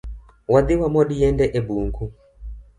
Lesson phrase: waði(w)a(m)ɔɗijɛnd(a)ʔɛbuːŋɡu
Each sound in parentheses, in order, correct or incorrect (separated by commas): correct, correct, incorrect